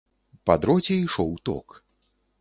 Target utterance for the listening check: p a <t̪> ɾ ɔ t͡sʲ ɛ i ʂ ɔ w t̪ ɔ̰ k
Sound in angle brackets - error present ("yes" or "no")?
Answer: yes